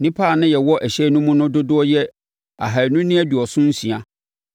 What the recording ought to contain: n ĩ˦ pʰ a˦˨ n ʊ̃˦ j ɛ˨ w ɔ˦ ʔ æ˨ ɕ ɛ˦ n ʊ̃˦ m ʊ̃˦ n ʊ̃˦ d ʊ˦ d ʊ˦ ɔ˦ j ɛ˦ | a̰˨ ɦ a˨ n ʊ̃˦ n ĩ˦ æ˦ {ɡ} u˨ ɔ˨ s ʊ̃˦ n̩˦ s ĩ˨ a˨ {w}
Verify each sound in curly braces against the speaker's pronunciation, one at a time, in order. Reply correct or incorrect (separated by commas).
incorrect, incorrect